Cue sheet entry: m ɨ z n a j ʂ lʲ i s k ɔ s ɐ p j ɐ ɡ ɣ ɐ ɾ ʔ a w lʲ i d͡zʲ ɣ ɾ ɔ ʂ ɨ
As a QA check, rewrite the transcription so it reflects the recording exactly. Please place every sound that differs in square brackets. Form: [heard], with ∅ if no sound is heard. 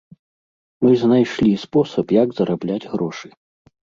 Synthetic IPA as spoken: m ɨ z n a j ʂ lʲ i s [p] ɔ s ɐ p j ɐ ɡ [z] ɐ ɾ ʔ a [b] lʲ [a] d͡zʲ ɣ ɾ ɔ ʂ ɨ